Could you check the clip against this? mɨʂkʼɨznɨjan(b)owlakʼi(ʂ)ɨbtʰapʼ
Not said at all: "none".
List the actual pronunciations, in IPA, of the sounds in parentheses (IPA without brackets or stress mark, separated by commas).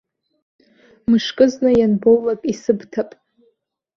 b, s